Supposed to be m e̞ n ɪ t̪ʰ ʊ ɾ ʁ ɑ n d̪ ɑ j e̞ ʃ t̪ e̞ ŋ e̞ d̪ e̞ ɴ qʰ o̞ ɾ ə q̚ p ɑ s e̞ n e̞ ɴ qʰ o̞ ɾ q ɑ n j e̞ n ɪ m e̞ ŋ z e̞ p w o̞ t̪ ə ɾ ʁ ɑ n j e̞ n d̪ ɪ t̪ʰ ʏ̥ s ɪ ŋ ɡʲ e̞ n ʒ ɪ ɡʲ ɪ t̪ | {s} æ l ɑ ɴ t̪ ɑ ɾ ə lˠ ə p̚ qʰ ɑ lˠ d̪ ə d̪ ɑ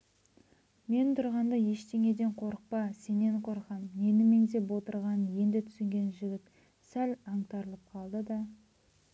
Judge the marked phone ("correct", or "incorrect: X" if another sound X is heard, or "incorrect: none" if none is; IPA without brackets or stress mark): correct